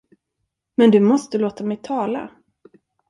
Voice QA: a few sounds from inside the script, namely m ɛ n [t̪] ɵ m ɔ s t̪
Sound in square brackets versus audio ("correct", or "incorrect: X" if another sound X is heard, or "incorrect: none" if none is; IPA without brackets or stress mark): incorrect: d̪